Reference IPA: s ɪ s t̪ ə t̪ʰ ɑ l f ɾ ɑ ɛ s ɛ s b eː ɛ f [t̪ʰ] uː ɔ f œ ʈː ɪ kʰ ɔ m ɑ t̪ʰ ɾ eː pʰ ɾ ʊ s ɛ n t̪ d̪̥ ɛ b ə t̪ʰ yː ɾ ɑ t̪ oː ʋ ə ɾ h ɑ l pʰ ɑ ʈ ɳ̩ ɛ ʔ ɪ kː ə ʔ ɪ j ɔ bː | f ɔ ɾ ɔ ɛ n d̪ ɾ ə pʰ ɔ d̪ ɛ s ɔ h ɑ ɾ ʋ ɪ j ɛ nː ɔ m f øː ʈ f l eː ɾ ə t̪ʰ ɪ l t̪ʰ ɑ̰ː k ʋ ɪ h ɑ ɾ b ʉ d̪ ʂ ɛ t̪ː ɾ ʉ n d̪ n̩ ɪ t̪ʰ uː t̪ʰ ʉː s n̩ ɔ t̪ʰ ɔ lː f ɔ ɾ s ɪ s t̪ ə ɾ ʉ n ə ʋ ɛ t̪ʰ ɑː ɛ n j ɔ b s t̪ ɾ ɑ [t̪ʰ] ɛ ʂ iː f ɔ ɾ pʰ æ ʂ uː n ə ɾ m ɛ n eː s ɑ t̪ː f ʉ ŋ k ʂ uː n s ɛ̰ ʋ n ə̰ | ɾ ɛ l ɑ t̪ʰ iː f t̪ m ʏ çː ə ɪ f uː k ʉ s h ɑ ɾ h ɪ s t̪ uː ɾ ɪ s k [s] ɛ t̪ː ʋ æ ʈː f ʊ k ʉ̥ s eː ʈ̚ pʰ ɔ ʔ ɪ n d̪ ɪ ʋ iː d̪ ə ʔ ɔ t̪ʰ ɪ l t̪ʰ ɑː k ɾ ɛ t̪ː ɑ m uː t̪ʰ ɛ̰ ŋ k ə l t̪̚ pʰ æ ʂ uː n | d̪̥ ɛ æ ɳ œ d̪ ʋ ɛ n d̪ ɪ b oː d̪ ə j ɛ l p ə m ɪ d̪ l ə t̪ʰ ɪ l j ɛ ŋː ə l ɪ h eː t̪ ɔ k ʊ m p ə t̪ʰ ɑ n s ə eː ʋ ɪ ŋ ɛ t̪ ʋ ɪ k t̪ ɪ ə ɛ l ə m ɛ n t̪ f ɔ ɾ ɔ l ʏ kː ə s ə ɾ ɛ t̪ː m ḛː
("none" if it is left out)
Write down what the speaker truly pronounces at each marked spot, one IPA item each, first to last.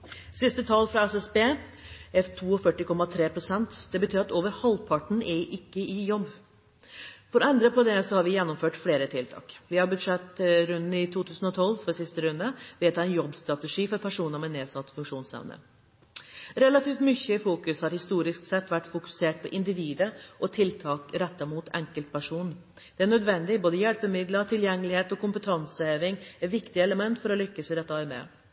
t̪ʰ, t̪, s

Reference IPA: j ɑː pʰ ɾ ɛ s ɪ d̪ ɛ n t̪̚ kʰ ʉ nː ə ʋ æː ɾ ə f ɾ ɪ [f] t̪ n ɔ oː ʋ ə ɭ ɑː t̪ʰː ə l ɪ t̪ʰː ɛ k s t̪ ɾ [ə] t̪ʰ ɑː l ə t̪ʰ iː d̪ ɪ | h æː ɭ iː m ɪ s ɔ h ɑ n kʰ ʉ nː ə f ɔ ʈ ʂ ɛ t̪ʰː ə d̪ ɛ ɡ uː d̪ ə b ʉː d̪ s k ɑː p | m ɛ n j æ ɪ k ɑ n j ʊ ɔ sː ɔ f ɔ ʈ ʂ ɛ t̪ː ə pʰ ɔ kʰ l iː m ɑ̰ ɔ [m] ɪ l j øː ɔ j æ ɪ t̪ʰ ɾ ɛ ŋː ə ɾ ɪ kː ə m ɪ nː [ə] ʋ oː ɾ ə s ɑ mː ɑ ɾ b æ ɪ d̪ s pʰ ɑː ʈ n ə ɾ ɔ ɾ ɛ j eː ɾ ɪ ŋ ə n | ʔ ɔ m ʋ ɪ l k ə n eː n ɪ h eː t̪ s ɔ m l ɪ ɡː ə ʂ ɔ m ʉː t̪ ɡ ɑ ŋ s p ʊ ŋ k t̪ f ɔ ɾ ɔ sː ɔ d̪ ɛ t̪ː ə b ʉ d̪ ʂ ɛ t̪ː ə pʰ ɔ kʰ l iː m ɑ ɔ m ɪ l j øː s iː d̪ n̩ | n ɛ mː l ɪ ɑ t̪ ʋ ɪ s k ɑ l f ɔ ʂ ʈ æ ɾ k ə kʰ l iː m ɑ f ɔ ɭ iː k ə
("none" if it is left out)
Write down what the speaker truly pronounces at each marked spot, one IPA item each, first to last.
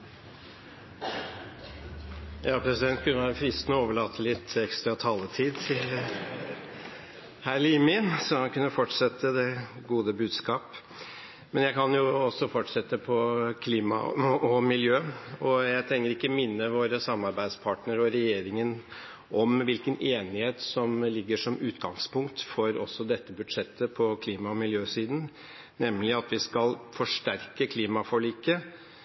s, ɑ, m, ə

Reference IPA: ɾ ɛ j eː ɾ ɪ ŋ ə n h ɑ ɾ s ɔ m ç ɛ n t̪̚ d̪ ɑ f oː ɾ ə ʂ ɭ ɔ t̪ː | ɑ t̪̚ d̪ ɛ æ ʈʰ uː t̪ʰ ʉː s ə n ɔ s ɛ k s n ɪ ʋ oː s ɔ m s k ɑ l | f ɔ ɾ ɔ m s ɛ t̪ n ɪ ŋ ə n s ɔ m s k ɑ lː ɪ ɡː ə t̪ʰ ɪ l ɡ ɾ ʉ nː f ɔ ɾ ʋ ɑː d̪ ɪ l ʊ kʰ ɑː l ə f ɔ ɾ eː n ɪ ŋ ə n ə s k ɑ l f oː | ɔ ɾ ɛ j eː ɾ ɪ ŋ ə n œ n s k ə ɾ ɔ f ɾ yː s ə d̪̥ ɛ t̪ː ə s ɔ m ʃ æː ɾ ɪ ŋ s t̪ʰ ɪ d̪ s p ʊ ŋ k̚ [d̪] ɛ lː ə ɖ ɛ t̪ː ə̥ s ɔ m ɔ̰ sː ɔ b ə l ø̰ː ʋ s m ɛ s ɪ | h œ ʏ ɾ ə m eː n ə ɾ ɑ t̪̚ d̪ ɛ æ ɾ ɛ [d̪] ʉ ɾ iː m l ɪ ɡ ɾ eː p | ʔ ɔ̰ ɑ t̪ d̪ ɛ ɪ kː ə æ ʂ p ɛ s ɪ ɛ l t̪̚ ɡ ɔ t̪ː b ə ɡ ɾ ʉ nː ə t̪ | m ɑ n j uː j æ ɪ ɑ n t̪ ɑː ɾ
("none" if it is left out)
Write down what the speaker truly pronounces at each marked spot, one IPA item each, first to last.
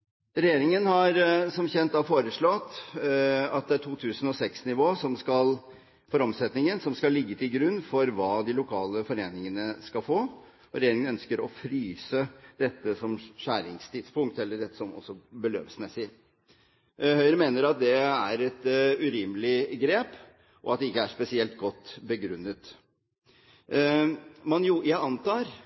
t̪, t̪

